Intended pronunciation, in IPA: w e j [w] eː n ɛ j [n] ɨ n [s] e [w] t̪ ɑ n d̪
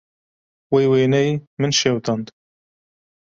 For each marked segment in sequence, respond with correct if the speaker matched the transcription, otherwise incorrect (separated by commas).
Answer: correct, incorrect, incorrect, correct